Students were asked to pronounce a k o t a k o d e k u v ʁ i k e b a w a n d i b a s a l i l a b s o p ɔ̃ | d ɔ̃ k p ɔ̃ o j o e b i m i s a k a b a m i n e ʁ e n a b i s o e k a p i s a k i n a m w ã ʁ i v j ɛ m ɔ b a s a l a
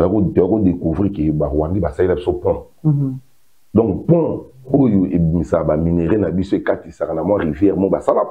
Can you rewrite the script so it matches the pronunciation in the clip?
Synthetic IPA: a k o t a k o d e k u v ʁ i k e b a w a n d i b a s a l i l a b s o p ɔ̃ | d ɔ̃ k p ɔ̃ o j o e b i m i s a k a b a m i n e ʁ e n a b i s o e k a t i s a k a n a m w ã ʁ i v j ɛ m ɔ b a s a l a